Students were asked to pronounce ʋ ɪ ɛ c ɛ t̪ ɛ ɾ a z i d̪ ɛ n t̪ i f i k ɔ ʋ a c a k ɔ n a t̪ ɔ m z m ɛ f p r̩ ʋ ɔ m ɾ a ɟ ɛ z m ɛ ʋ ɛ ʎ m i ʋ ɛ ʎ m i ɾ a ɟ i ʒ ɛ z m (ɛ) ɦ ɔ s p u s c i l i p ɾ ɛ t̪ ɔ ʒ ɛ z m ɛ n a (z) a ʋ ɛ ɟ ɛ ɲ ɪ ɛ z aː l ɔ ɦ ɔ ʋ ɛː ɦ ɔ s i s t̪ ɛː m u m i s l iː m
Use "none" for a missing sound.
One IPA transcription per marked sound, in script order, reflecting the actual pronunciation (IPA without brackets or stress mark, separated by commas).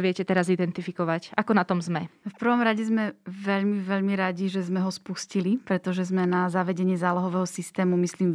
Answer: ɛ, z